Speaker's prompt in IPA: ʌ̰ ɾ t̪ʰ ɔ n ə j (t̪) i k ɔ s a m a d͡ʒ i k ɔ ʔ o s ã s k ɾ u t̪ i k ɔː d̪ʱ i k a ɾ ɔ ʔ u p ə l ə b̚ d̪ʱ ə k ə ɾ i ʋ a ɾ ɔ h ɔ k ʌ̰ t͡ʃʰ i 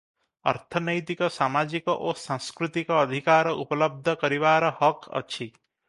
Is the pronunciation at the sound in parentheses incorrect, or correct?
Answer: correct